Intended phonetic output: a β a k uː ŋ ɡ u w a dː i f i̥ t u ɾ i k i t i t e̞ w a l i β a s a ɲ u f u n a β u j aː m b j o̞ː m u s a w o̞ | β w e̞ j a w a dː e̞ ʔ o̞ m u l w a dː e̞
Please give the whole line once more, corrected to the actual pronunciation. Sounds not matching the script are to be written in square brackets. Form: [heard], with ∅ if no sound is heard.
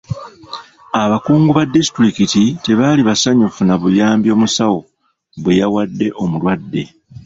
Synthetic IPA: a β a k uː ŋ ɡ u [β] a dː i [s] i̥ t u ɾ i k i t i t e̞ [β] a l i β a s a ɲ u f u n a β u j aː m b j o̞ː m u s a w o̞ | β w e̞ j a w a dː e̞ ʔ o̞ m u l w a dː e̞